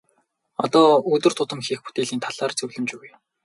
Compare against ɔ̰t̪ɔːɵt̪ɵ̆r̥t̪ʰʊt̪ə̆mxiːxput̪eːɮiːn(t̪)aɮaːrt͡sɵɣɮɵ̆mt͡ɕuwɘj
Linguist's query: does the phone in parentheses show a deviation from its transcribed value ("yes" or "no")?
yes